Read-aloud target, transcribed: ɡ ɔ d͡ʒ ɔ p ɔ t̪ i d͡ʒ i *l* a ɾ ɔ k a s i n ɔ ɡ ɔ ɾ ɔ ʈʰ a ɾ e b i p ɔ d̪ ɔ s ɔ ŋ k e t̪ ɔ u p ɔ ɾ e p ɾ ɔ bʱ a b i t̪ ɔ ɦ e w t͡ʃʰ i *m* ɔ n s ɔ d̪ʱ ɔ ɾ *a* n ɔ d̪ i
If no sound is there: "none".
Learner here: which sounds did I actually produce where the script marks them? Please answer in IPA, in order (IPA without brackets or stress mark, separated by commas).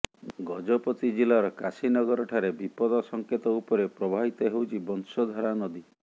l, b, a